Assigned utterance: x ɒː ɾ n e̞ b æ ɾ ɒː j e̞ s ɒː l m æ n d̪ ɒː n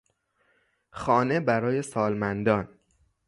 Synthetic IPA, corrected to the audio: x ɒː n e̞ b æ ɾ ɒː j e̞ s ɒː l m æ n d̪ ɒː n